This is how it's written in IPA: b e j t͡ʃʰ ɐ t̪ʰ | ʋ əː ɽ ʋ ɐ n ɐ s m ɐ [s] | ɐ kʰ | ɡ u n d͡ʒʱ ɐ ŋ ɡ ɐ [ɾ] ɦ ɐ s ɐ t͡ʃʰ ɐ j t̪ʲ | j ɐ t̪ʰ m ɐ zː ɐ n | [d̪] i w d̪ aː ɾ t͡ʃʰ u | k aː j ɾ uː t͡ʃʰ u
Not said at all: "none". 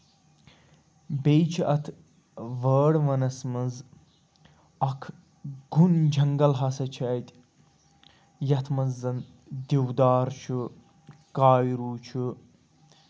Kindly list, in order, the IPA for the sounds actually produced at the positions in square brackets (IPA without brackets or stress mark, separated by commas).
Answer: z, l, d̪